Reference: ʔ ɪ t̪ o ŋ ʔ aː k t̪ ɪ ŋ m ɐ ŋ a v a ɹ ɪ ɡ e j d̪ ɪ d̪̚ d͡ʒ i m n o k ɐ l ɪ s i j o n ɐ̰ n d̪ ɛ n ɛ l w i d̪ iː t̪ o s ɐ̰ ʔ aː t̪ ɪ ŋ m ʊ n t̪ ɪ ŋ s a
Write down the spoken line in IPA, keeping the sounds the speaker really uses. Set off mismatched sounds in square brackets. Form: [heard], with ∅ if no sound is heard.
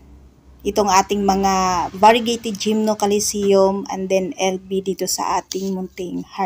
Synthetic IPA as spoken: ʔ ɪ t̪ o ŋ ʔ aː [∅] t̪ ɪ ŋ m ɐ ŋ a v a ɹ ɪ ɡ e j [t̪] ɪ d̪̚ d͡ʒ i m n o k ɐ l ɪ s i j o [m] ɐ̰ n d̪ ɛ n ɛ l [b] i d̪ iː t̪ o s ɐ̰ ʔ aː t̪ ɪ ŋ m ʊ n t̪ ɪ ŋ [h] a